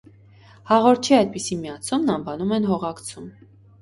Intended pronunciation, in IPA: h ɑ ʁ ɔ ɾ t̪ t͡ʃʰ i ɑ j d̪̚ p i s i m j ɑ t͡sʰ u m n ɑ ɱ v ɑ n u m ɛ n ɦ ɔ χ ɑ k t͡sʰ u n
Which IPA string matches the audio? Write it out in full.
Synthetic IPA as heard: h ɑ ʁ ɔ ɾ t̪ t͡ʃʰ i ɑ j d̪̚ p i s i m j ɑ t͡sʰ u m n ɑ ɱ v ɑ n u m ɛ n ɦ ɔ ʁ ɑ k t͡sʰ u m